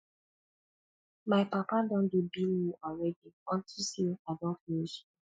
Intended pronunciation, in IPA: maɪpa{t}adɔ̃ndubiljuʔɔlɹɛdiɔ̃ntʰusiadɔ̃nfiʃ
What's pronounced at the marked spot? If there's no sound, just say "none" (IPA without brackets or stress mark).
p